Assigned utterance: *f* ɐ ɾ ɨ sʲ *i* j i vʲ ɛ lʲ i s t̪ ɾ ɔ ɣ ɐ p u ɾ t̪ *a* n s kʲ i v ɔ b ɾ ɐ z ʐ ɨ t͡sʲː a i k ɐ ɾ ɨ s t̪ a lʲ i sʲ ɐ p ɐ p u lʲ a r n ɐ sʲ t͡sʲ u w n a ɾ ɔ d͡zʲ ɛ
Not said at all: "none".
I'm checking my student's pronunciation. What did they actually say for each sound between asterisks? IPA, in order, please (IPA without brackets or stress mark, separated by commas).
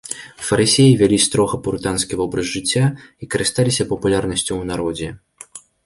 f, e, a